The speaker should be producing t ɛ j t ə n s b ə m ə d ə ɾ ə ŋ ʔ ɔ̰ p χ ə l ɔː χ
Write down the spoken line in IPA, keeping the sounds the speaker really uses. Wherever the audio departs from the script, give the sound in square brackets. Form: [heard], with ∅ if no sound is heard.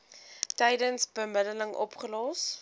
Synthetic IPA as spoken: t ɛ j [d] ə n s b ə m ə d ə [l] ə ŋ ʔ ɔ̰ p χ ə l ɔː [s]

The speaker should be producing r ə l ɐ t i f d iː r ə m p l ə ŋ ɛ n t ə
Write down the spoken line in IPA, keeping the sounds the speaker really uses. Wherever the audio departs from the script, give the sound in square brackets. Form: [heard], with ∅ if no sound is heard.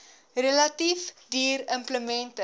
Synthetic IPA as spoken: r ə l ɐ t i f d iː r ə m p l ə [m] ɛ n t ə

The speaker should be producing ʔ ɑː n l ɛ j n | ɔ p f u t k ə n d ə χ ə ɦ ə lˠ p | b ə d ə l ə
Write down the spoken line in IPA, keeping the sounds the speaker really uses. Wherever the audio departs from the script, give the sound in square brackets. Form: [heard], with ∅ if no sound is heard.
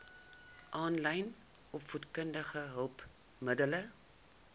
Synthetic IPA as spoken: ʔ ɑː n l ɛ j n | ɔ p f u t k ə n d ə χ ə ɦ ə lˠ p | [m] ə d ə l ə

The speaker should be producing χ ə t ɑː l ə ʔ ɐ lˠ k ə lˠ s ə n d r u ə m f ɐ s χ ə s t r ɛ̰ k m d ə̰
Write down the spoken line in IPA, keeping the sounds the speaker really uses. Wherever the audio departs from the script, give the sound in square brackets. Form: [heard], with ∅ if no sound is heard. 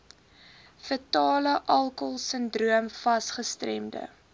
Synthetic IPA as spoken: [f] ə t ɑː l ə ʔ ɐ lˠ k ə lˠ s ə n d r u ə m f ɐ s χ ə s t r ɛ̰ [∅] m d ə̰

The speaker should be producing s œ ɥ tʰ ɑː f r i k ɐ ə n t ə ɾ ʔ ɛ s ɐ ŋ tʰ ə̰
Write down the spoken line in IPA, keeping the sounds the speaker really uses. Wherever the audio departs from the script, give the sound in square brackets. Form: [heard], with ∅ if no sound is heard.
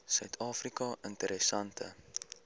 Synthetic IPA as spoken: s œ ɥ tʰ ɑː f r i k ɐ ə n t ə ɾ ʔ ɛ s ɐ [n] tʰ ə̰

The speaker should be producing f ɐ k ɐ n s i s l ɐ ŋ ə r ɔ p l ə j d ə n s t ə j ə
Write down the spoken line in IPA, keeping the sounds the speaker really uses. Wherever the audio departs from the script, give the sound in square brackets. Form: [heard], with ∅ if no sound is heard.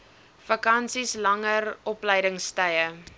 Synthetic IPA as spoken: f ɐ k ɐ n s i s l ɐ ŋ ə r ɔ p l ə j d ə [ŋ] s t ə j ə

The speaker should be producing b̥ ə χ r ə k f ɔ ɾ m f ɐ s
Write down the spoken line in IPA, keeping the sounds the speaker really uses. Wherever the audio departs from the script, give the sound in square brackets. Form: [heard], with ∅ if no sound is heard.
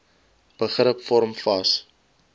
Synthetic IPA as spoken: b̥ ə χ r ə [p] f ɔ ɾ m f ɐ s

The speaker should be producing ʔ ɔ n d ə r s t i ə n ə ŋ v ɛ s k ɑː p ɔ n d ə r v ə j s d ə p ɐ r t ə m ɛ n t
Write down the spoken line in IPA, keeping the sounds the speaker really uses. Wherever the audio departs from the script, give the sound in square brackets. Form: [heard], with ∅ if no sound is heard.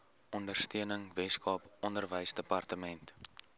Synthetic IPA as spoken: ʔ ɔ n d ə r s t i ə n ə ŋ v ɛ s k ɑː p ɔ n d ə r v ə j s d ə p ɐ r t ə m ɛ n t

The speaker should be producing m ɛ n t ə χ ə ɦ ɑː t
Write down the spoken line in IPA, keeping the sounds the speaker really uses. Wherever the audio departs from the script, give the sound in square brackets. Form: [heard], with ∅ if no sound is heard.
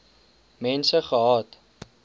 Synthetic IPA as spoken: m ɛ n [s] ə χ ə ɦ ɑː t

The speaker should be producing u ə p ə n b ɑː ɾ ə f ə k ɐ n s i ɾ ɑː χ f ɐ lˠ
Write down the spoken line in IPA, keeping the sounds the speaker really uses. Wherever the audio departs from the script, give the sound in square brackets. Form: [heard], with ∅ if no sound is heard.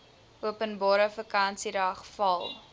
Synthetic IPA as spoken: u ə p ə n b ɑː ɾ ə f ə k ɐ n s i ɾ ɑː χ f ɐ lˠ

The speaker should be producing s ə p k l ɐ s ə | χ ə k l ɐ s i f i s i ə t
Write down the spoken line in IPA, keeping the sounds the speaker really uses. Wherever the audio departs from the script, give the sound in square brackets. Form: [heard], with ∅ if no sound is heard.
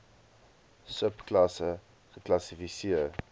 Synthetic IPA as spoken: s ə p k l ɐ s ə | χ ə k l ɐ s i f i s i ə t

